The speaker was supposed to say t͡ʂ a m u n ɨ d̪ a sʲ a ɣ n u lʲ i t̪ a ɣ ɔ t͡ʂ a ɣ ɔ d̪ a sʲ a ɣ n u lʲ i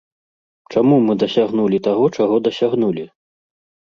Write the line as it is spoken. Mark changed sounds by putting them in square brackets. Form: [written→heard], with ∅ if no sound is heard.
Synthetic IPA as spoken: t͡ʂ a m u [n→m] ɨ d̪ [a→ɐ] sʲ a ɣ n u lʲ i t̪ a ɣ ɔ t͡ʂ a ɣ ɔ d̪ [a→ɐ] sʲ a ɣ n u lʲ i